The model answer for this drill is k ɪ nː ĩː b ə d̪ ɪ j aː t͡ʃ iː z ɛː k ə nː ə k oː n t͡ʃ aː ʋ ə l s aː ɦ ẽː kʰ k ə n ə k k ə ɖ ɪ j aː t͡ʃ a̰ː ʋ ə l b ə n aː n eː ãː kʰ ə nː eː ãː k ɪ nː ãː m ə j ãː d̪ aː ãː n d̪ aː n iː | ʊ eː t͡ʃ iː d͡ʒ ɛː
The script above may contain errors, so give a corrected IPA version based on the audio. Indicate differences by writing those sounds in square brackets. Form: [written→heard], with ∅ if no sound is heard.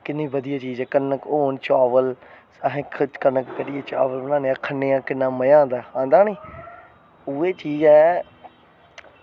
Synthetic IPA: k ɪ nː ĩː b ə d̪ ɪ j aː t͡ʃ iː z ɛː k ə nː ə k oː n t͡ʃ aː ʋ ə l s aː ɦ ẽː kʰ k ə n ə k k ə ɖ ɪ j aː t͡ʃ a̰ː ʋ ə l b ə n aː n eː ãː kʰ ə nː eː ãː k ɪ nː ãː m ə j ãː d̪ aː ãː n d̪ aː n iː | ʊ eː t͡ʃ iː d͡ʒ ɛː